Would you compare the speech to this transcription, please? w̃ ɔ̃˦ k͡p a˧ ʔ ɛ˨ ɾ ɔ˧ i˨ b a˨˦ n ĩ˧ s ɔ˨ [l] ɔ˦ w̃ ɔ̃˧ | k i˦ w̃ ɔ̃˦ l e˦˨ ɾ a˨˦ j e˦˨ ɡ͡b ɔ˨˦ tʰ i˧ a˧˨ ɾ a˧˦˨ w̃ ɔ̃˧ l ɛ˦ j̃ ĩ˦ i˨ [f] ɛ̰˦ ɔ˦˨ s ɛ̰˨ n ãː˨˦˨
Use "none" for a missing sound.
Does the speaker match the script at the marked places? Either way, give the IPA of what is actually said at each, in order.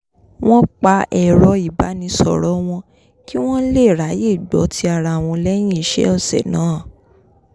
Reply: ɾ, ʃ

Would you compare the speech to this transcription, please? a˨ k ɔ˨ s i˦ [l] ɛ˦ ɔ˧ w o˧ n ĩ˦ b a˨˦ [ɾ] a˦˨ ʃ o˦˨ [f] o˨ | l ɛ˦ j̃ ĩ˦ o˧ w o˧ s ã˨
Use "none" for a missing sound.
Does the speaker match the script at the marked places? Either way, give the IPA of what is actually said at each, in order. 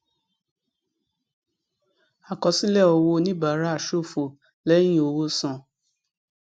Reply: l, ɾ, f

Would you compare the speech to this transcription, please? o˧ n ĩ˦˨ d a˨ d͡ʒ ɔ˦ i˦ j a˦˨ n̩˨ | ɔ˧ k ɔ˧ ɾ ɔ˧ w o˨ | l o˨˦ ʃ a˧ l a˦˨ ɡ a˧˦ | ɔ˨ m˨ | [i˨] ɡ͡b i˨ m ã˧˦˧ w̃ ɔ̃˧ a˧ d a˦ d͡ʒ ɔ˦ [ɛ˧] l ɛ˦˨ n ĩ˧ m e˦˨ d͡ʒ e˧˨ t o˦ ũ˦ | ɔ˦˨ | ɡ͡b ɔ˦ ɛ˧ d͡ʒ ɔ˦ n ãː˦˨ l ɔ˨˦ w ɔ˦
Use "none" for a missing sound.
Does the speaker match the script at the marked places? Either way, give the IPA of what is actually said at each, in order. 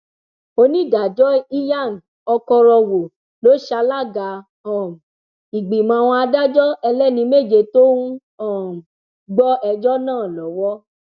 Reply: i˨, ɛ˧

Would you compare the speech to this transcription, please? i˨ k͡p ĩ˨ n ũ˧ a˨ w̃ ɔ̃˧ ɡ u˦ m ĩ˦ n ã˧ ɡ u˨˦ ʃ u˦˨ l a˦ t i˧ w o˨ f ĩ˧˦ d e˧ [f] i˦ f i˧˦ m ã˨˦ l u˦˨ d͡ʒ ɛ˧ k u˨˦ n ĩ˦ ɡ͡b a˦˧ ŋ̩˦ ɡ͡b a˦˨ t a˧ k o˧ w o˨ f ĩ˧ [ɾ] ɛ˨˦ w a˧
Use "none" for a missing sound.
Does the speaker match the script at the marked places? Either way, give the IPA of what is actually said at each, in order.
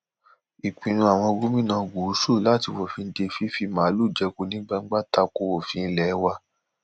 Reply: f, l

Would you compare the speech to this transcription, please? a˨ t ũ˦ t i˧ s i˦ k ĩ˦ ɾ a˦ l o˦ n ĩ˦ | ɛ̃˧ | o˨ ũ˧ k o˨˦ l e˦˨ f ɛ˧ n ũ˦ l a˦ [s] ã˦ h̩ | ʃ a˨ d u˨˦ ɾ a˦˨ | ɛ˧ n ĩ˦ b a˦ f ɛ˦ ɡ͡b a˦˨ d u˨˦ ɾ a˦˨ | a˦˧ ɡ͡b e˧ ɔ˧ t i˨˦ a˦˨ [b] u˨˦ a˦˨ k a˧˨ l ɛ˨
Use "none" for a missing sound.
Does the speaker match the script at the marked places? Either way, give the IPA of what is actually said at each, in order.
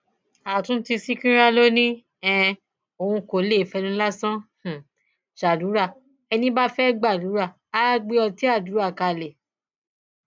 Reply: s, d

